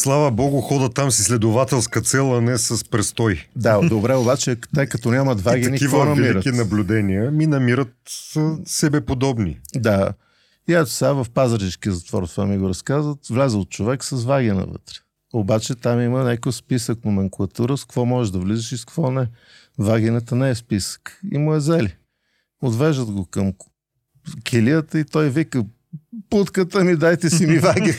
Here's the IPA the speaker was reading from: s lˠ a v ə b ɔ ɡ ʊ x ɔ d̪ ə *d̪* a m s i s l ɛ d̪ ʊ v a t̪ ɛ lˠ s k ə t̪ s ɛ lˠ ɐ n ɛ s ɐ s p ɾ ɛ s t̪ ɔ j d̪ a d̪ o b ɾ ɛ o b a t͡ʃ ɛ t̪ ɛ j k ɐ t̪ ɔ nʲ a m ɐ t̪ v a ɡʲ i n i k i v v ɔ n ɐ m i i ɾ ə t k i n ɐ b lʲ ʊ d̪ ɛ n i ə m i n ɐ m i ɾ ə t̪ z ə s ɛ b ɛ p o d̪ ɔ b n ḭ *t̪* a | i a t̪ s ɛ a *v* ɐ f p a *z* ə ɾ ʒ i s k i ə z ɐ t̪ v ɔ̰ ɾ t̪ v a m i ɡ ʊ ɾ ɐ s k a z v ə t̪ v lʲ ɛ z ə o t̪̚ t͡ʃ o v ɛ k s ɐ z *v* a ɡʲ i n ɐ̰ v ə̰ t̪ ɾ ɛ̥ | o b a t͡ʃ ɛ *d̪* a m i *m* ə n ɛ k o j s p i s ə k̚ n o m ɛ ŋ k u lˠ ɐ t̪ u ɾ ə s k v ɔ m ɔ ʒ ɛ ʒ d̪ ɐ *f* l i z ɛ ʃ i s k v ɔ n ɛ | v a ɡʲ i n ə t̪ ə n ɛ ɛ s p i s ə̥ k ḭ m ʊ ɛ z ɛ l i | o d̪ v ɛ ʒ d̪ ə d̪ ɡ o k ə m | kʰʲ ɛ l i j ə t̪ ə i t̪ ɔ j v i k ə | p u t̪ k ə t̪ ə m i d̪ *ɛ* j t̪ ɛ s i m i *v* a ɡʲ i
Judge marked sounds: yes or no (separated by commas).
no, no, yes, yes, yes, no, yes, no, no, yes